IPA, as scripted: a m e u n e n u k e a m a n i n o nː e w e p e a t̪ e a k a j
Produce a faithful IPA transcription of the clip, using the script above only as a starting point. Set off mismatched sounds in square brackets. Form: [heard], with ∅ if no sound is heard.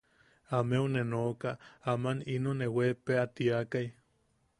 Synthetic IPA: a m e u n e n [o] k [a] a m a n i n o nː e w e p e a t̪ [i] a k a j